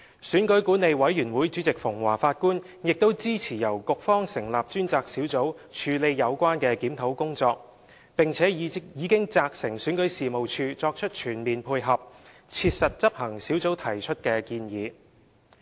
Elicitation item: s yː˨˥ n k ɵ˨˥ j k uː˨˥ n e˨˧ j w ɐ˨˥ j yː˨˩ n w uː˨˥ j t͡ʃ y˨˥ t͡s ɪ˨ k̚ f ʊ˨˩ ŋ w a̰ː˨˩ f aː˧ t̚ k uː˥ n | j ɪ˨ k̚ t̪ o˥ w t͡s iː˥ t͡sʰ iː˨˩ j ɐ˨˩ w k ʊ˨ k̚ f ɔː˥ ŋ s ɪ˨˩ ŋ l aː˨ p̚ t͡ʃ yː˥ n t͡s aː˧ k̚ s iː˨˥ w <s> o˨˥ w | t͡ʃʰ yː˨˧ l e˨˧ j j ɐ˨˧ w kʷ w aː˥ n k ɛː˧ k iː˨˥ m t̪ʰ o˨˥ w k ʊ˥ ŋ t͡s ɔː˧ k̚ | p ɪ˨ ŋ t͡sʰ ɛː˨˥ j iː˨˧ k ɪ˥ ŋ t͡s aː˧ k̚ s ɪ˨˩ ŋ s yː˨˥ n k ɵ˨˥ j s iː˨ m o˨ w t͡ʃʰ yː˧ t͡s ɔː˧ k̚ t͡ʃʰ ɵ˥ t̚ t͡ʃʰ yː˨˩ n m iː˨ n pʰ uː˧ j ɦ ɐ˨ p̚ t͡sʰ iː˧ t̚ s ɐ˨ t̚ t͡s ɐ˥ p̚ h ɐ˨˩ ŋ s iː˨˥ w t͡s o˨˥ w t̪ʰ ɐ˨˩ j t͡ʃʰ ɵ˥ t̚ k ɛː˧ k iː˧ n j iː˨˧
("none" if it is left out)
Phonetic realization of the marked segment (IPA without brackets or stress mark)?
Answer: t͡s